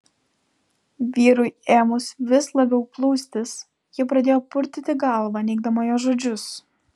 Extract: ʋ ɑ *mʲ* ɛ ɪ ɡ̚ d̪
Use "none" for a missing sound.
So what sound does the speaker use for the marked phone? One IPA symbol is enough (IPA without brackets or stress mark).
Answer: nʲ